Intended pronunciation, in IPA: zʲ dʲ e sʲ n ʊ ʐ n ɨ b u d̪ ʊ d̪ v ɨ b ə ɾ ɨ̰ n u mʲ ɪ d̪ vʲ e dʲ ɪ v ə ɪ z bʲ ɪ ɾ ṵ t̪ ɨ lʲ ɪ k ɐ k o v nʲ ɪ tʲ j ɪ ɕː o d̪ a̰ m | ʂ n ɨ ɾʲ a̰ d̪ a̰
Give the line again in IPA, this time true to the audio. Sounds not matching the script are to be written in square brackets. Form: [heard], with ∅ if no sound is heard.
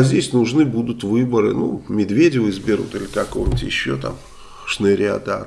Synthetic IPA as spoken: zʲ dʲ e sʲ n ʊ ʐ n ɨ b u d̪ ʊ [t̪] v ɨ b ə ɾ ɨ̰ n u mʲ ɪ d̪ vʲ e dʲ ɪ v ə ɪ z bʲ ɪ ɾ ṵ t̪ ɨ lʲ ɪ k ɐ k o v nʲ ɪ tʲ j ɪ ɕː o [t̪] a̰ m | ʂ n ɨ ɾʲ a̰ d̪ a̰